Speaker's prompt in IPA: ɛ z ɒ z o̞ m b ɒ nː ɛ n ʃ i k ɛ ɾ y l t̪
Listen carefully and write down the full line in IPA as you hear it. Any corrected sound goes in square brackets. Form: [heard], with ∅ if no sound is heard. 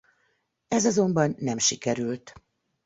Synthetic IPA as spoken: ɛ z ɒ z o̞ m b ɒ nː ɛ [m] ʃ i k ɛ ɾ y l t̪